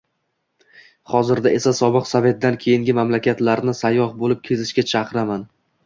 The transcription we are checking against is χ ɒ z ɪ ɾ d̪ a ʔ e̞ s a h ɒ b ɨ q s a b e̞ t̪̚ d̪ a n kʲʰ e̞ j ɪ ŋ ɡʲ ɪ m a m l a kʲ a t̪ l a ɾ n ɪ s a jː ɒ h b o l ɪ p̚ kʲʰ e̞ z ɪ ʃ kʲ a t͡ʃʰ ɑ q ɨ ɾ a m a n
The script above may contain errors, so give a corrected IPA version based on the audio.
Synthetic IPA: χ ɒ z ɪ ɾ d̪ a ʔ e̞ s a s ɒ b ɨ q s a v e̞ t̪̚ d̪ a n kʲʰ e̞ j ɪ ŋ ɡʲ ɪ m a m l a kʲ a t̪ l a ɾ n ɪ s a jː ɒ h b o l ɪ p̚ kʲʰ e̞ z ɪ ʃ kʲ a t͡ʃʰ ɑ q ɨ ɾ a m a n

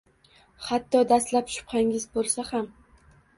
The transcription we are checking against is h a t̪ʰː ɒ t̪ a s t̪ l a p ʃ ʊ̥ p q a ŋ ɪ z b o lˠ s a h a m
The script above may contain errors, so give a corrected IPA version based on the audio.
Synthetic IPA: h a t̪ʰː ɒ d̪ a s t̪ l a p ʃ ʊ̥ p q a ŋ ɪ z b o lˠ s a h a m

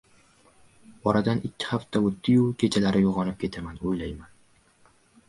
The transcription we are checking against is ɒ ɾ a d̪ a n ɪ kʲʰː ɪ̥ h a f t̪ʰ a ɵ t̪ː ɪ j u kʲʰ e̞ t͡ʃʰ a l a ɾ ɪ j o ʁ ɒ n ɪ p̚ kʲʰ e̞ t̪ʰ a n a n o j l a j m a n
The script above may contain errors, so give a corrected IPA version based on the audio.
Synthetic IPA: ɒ ɾ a d̪ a n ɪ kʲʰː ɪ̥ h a f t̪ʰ a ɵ t̪ː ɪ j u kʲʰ e̞ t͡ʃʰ a l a ɾ ɪ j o ʁ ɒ n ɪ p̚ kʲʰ e̞ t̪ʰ a m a n o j l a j m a n

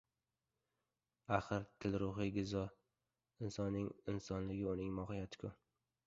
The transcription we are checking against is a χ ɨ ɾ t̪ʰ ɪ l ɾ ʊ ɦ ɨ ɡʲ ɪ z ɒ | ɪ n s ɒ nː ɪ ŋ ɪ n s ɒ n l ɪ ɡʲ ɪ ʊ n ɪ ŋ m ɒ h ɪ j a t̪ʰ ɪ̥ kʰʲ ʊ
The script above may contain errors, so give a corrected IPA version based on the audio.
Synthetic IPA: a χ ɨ ɾ t̪ʰ ɪ l ɾ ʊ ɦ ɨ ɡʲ ɪ z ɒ | ɪ n s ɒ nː ɪ ŋ ɪ n s ɒ n l ɪ ɡʲ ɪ ʊ n ɪ ŋ m ɒ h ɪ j a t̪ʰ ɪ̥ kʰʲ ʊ

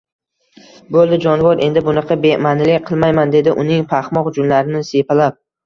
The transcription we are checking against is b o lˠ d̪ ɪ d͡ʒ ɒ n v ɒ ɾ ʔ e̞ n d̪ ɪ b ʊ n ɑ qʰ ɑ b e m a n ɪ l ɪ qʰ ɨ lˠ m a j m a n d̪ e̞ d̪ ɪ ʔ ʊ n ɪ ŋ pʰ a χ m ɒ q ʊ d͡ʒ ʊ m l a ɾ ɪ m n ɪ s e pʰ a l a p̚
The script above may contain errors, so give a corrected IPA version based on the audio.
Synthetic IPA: b o lˠ d̪ ɪ d͡ʒ ɒ n v ɒ ɾ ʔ e̞ n d̪ ɪ b ʊ n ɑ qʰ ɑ b e m a n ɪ l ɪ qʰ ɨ lˠ m a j m a n d̪ e̞ d̪ ɪ ʔ ʊ n ɪ ŋ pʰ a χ m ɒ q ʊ d͡ʒ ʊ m l a ɾ ɪ n ɪ s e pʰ a l a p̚

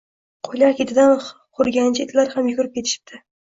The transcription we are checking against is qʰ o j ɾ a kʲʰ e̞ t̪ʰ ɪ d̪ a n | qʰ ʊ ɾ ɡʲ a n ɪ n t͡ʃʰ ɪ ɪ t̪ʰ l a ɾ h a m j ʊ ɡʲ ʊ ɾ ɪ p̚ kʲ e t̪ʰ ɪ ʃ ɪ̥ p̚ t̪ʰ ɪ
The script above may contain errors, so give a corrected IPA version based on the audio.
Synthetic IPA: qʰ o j l a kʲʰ e̞ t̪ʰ ɪ d̪ a n | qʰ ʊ ɾ ɡʲ a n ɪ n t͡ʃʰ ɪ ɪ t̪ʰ l a ɾ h a m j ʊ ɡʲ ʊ ɾ ɪ p̚ kʲ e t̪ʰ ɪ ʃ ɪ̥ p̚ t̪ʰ ɪ

